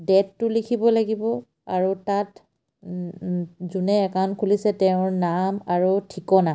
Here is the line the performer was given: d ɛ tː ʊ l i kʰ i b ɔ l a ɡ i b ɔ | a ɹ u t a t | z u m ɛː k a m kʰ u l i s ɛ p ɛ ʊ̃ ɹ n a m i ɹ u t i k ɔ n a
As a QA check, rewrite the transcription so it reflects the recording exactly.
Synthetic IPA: d ɛ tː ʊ l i kʰ i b ɔ l a ɡ i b ɔ | a ɹ u t a t | z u n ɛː k a n kʰ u l i s ɛ t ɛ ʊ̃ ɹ n a m a ɹ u tʰ i k ɔ n a